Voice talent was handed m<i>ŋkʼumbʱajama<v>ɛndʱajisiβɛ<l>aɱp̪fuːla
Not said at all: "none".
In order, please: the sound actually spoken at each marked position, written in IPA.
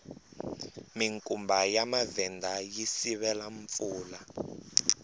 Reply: i, v, l

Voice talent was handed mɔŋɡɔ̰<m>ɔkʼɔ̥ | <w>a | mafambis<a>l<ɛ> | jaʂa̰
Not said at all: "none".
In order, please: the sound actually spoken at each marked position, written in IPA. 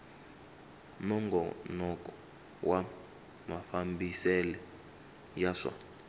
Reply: n, w, ɛ, ɛ

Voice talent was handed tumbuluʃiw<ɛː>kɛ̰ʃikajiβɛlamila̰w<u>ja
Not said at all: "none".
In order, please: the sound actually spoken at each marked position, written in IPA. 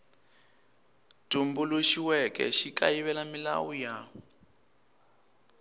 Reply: ɛ, u

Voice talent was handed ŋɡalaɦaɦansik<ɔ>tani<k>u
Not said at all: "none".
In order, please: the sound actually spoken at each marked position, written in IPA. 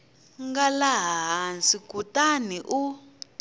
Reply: u, ʔ

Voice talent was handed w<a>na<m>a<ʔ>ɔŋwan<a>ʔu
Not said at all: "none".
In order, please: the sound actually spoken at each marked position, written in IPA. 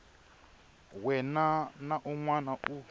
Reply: ɛ, n, ʔ, a

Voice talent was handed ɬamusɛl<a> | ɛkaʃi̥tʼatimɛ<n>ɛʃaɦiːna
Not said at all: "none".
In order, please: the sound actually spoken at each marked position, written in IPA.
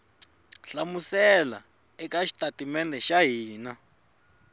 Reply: a, n

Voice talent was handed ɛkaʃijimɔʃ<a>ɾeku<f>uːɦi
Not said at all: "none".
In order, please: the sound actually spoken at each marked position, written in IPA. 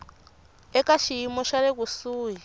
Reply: a, s

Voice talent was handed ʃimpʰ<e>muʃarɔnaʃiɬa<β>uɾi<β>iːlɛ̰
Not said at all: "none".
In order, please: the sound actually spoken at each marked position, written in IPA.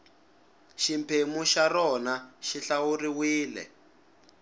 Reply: e, w, w

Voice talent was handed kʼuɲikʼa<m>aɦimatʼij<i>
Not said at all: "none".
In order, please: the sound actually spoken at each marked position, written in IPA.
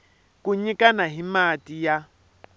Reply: n, a

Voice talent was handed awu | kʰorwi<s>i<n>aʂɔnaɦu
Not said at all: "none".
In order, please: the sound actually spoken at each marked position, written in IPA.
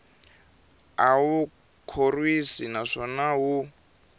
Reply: s, n

